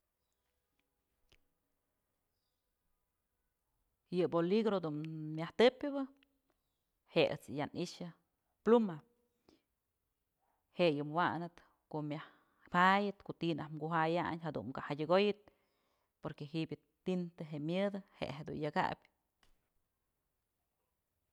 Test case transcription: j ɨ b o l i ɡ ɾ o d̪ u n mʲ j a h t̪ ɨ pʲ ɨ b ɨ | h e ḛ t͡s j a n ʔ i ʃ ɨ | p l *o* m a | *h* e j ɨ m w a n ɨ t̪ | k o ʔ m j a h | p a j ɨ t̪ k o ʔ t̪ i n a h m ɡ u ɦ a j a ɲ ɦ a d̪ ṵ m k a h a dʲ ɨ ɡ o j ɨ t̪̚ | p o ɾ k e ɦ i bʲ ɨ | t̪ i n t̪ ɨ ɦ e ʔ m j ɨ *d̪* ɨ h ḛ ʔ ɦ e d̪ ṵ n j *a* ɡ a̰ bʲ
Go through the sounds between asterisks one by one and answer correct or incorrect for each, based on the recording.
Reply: incorrect: u, correct, correct, correct

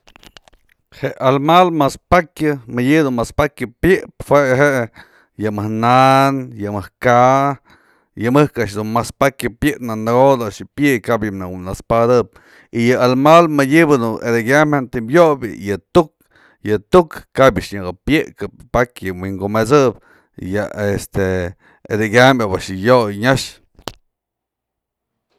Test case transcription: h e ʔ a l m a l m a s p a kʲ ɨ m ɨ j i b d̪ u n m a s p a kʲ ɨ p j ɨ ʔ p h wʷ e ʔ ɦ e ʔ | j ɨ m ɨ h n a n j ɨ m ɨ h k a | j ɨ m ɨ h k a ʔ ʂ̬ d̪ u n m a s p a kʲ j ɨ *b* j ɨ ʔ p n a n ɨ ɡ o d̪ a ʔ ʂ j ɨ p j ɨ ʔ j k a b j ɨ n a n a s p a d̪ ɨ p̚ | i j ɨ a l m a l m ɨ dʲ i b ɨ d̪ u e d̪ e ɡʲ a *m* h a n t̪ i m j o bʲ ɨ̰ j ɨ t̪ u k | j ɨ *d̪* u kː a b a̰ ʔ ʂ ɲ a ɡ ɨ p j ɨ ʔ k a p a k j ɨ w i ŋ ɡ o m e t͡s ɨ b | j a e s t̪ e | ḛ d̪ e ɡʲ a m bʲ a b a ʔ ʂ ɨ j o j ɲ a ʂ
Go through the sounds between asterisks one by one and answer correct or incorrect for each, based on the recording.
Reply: incorrect: p, correct, incorrect: t̪

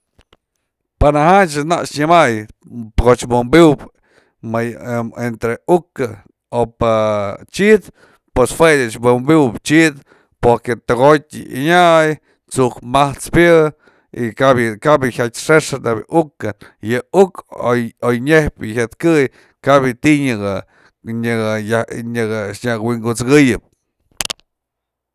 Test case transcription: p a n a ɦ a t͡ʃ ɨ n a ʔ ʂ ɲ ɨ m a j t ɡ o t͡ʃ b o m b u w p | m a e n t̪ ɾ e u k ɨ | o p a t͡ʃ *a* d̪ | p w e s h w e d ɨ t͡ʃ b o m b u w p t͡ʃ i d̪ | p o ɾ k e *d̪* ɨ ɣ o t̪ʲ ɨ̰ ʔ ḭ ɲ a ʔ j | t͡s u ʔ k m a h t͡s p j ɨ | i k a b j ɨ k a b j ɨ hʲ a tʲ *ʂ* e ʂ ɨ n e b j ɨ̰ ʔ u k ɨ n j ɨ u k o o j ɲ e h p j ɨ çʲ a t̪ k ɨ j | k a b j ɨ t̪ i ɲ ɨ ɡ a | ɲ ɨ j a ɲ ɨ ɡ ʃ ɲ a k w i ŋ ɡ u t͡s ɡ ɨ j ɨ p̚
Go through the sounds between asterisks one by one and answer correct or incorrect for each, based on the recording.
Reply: incorrect: i, incorrect: t̪, correct

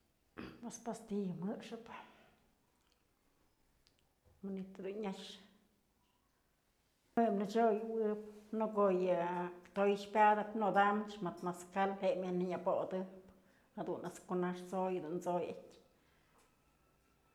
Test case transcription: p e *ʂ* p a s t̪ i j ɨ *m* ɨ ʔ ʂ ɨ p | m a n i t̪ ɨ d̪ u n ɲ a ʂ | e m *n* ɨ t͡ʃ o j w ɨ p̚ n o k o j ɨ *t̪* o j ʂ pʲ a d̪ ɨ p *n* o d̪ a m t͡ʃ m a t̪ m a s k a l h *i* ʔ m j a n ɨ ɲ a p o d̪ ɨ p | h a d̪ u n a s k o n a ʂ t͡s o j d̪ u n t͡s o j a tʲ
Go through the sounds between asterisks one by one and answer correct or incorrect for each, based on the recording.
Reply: incorrect: s, correct, correct, correct, correct, incorrect: e

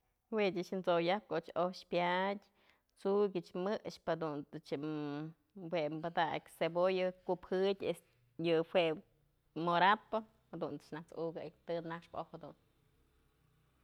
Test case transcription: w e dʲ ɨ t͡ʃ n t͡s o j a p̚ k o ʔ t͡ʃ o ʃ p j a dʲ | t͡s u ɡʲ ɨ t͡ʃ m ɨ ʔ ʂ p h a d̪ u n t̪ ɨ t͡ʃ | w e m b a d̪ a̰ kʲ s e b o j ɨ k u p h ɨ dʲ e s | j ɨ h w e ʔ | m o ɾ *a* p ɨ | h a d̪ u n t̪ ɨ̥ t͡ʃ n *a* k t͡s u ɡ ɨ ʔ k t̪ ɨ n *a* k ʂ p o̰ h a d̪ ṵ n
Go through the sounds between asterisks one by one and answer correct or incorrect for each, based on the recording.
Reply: correct, correct, correct

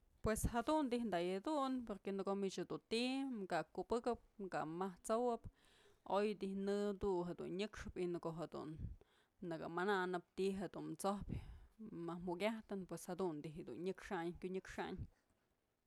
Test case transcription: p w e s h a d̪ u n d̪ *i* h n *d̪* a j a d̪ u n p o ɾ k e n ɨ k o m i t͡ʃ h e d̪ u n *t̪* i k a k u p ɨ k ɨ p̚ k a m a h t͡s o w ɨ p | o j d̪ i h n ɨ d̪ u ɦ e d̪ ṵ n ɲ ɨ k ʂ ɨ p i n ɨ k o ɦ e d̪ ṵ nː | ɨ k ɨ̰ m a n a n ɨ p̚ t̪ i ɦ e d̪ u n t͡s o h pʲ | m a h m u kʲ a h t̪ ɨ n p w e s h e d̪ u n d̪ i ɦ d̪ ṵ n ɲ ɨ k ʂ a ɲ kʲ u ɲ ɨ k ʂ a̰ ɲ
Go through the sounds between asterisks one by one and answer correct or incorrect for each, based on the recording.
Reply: correct, correct, correct

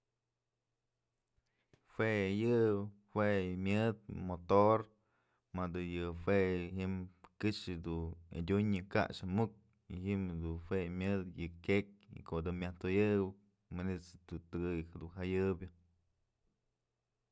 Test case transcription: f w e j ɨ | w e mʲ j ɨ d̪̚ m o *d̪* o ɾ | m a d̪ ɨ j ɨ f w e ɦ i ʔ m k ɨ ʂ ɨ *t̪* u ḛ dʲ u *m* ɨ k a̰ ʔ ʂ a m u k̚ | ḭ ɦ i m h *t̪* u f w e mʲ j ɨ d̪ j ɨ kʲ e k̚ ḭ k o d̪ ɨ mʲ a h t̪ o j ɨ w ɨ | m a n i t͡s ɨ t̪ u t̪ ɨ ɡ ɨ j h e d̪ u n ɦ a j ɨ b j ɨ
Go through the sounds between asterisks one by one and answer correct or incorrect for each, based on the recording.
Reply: incorrect: t̪, incorrect: d̪, incorrect: ɲ, incorrect: d̪

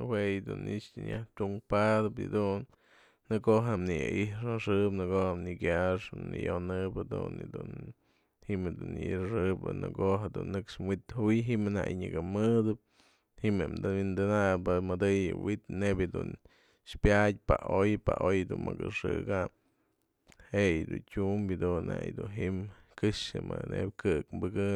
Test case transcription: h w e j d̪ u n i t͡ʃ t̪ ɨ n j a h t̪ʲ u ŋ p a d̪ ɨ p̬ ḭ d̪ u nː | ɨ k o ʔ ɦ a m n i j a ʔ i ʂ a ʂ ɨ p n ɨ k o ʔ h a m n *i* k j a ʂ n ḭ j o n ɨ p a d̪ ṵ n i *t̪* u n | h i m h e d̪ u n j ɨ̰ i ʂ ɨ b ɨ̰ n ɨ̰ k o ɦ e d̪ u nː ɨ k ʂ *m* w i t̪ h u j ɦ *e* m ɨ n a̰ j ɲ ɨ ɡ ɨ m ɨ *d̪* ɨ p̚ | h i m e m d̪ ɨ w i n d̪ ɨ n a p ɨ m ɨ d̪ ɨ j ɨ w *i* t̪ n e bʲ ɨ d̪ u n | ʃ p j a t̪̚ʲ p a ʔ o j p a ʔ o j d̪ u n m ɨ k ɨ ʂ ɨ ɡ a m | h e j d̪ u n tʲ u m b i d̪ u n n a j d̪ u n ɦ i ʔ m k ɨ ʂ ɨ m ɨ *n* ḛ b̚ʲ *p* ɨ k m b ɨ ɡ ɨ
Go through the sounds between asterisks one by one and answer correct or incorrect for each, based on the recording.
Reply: correct, incorrect: d̪, correct, incorrect: i, correct, correct, correct, incorrect: k

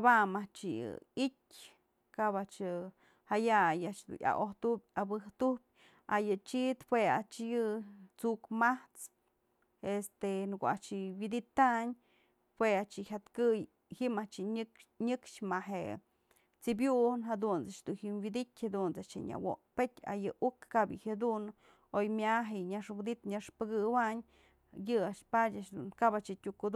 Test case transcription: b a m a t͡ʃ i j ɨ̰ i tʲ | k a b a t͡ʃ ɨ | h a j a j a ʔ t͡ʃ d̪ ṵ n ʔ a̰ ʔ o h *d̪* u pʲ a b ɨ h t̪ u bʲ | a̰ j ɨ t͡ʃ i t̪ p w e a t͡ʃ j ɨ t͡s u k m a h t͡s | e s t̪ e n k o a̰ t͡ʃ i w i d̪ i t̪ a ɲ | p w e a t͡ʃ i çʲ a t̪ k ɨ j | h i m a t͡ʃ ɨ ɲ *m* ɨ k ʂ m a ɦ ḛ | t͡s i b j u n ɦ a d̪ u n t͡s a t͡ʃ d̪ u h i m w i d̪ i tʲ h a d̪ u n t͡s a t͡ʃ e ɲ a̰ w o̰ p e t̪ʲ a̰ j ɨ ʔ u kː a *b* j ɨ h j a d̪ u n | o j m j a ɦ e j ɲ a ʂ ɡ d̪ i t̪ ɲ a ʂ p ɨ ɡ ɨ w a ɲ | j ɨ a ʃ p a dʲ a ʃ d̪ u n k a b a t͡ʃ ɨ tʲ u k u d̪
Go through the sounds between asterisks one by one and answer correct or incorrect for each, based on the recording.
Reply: incorrect: t̪, incorrect: ɲ, correct

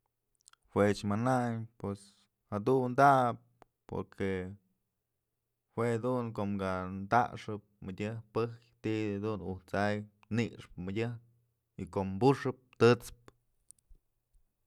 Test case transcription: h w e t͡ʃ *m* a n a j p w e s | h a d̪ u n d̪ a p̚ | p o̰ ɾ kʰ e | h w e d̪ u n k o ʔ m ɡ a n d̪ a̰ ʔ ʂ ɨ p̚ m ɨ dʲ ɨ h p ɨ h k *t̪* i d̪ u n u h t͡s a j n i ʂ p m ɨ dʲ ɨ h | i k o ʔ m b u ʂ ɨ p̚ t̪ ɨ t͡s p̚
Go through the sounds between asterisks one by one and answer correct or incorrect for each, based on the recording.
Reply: correct, correct

